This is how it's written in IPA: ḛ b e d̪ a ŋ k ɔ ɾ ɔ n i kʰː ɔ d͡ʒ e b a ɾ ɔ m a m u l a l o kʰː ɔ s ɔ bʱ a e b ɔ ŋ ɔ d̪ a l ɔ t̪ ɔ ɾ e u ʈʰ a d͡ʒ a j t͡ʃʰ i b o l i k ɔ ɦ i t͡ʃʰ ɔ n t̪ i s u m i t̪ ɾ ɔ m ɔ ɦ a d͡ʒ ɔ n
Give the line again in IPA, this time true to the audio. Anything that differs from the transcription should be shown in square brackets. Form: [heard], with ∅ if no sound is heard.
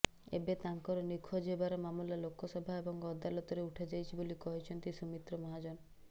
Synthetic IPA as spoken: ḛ b e [t̪] a ŋ k ɔ ɾ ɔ n i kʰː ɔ d͡ʒ e b a ɾ ɔ m a m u l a l o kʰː ɔ s ɔ bʱ a e b ɔ ŋ ɔ d̪ a l ɔ t̪ ɔ ɾ e u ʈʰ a d͡ʒ a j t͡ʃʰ i b o l i k ɔ ɦ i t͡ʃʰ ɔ n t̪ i s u m i t̪ ɾ ɔ m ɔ ɦ a d͡ʒ ɔ n